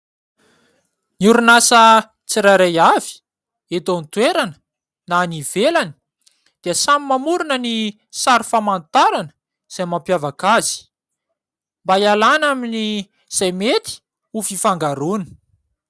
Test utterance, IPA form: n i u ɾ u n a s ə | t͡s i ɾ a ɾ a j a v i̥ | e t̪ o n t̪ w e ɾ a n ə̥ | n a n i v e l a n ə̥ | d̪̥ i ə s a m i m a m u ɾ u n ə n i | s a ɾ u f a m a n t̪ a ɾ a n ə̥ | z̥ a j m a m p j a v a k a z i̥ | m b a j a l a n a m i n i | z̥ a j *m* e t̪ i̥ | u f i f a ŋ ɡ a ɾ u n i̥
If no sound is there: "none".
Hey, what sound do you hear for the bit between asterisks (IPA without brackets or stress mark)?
m